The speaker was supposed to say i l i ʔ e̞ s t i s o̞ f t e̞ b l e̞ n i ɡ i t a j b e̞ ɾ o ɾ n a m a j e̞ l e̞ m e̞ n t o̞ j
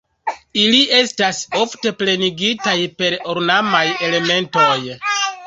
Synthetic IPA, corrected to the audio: i l i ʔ e̞ s t a s o̞ f t e̞ p l e̞ n i ɡ i t a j p e̞ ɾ o ɾ n a m a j e̞ l e̞ m e̞ n t o̞ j